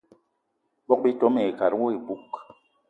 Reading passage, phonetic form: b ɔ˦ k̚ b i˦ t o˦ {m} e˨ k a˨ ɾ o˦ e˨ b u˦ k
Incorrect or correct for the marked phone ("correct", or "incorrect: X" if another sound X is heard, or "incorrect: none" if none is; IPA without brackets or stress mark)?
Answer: correct